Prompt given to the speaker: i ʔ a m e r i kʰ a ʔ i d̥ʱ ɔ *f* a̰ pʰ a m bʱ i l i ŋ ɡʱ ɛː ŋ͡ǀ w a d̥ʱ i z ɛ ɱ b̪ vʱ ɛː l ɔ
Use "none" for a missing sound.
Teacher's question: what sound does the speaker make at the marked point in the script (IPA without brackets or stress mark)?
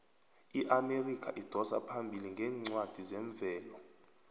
s